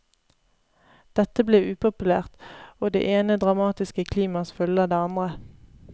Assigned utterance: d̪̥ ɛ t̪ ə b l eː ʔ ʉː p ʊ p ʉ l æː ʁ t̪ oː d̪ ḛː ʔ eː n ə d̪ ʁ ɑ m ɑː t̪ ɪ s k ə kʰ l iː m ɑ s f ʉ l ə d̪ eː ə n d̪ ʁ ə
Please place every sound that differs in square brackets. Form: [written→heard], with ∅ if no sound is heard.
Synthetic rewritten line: d̪̥ ɛ t̪ ə b l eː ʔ ʉː p ʊ p ʉ l æː ʁ t̪ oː d̪ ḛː ʔ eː n ə d̪ ʁ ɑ m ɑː t̪ ɪ s k ə kʰ l iː m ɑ s f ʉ l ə d̪ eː [ə→ɑ] n d̪ ʁ ə

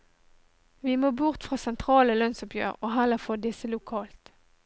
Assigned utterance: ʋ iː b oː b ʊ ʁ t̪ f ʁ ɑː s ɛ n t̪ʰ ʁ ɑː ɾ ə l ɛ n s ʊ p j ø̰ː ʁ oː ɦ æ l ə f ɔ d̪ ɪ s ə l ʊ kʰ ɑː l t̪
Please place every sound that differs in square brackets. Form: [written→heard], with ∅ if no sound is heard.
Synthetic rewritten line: ʋ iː [b→m] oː b ʊ ʁ t̪ f ʁ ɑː s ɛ n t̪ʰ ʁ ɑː [ɾ→l] ə l [ɛ→œ] n s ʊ p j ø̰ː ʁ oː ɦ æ l ə f ɔ d̪ ɪ s ə l ʊ kʰ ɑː l t̪

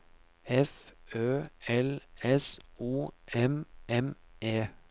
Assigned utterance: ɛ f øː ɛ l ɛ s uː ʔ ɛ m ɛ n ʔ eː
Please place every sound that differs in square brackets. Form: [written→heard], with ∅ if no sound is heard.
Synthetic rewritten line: ɛ f øː ɛ l ɛ s uː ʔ ɛ m ɛ [n→m] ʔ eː

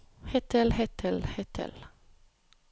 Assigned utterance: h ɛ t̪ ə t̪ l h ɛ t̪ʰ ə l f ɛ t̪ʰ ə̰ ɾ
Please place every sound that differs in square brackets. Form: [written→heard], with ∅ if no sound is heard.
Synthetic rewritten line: h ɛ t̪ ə [t̪→∅] l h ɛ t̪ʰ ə l [f→h] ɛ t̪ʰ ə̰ [ɾ→l]

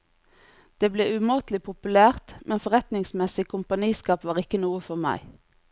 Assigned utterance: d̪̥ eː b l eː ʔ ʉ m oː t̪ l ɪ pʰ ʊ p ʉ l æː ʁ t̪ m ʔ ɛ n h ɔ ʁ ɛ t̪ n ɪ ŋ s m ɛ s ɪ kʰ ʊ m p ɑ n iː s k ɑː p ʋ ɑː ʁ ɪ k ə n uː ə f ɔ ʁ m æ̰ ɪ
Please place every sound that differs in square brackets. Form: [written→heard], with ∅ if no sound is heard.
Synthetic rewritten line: d̪̥ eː b l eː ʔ ʉ m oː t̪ l ɪ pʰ ʊ p ʉ l æː ʁ t̪ m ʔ ɛ n [h→f] ɔ ʁ ɛ t̪ n ɪ ŋ s m ɛ s ɪ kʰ ʊ m p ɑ n iː s k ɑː p ʋ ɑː ʁ ɪ k ə n uː ə f ɔ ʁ m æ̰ ɪ

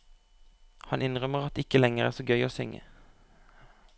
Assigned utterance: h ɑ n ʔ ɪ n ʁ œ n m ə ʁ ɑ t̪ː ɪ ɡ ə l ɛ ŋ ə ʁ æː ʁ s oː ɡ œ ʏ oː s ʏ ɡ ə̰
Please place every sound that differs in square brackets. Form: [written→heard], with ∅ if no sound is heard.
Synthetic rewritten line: h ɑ n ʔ ɪ n ʁ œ [n→∅] m ə ʁ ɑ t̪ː ɪ [ɡ→k] ə l ɛ ŋ ə ʁ æː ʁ s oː ɡ œ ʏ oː s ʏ [ɡ→ŋ] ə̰

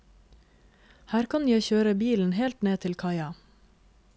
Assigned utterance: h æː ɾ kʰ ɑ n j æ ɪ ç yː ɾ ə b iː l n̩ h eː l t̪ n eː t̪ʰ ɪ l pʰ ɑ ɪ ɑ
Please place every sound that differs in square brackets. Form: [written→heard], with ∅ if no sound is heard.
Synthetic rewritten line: h æː ɾ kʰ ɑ n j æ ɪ ç [yː→øː] ɾ ə b iː l n̩ h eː l t̪ n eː t̪ʰ ɪ l [pʰ→kʰ] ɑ ɪ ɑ

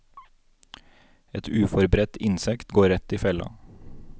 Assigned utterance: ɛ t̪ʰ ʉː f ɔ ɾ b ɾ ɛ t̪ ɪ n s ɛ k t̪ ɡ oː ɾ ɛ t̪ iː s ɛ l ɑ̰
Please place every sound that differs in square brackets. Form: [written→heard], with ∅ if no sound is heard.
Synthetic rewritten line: ɛ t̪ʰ ʉː f ɔ ɾ b ɾ ɛ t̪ ɪ n s ɛ k t̪ ɡ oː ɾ ɛ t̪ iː [s→f] ɛ l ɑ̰

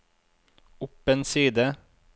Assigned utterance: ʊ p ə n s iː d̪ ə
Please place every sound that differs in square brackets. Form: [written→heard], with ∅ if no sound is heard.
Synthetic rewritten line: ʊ p ə n s iː d̪ ə

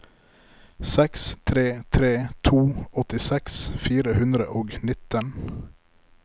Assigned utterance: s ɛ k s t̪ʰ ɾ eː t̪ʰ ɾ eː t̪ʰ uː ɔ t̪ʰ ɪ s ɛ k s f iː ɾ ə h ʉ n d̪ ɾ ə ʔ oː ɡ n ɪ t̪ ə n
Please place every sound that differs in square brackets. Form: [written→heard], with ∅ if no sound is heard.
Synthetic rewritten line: s ɛ k s t̪ʰ ɾ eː t̪ʰ ɾ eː t̪ʰ uː ɔ [t̪ʰ→t̪] ɪ s ɛ k s f iː ɾ ə h ʉ n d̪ ɾ ə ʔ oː ɡ n ɪ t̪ ə n

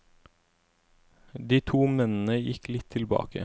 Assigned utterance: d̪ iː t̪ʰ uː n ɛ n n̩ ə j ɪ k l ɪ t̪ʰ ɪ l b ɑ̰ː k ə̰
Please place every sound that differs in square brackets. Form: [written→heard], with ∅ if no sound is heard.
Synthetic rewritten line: d̪ iː t̪ʰ uː [n→m] ɛ n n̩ ə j ɪ k l ɪ t̪ʰ ɪ l b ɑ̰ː k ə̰

